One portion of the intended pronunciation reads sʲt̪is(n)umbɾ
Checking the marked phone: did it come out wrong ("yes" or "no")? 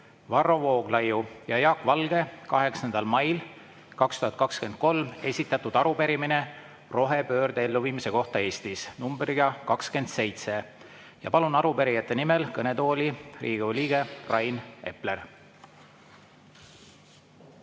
no